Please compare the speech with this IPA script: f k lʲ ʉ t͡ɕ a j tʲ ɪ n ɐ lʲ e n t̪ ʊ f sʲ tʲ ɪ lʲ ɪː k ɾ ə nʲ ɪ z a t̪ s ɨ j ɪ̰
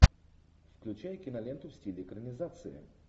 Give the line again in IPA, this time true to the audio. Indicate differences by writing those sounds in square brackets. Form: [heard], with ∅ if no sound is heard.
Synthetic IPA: f k lʲ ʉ t͡ɕ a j [kʲ] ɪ n ɐ lʲ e n t̪ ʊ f sʲ tʲ [i] lʲ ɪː k ɾ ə nʲ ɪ z a t̪ s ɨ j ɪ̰

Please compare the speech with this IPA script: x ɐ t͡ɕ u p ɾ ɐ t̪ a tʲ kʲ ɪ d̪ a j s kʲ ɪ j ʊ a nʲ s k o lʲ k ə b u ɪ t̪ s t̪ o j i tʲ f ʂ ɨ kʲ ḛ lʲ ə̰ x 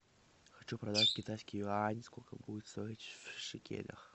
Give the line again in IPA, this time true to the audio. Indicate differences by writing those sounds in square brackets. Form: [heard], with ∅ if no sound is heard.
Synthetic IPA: x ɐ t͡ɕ u p ɾ ɐ [d̪] a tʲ kʲ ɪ [t̪] a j s kʲ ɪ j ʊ a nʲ s k o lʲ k ə b u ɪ t̪ s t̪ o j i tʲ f ʂ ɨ kʲ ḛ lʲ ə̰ x

